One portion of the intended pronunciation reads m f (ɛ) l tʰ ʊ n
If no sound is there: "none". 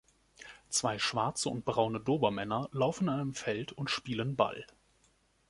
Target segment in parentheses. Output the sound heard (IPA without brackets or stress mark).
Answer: ɛ